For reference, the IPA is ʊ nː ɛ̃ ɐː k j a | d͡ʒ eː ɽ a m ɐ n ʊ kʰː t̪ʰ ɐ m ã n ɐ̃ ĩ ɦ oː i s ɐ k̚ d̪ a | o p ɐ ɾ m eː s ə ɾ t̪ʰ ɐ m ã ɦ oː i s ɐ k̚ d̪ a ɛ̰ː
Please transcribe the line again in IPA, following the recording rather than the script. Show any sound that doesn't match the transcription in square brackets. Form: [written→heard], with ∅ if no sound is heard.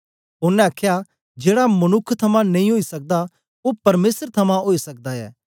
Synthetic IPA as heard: ʊ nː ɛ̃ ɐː [k→kʰ] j a | d͡ʒ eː ɽ a m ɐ n ʊ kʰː t̪ʰ ɐ m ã n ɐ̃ ĩ ɦ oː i s ɐ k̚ d̪ a | o p ɐ ɾ m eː s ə ɾ t̪ʰ ɐ m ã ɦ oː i s ɐ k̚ d̪ a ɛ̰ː